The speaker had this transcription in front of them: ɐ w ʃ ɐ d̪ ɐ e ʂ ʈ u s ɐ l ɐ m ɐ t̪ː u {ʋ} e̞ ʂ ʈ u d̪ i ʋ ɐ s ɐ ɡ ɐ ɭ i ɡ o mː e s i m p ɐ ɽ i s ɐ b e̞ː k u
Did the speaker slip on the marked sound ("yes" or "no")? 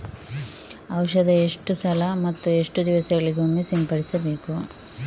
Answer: yes